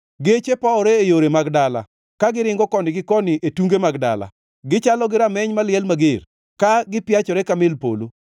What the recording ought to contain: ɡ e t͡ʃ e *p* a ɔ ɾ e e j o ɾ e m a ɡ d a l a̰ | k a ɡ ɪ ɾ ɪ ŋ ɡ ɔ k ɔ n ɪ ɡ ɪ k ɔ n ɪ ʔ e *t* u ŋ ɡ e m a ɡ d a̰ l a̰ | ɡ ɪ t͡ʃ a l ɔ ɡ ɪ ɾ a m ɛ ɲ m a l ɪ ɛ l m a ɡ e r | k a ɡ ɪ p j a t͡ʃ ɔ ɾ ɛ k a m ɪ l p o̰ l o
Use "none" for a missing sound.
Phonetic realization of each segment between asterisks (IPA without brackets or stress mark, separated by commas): p, t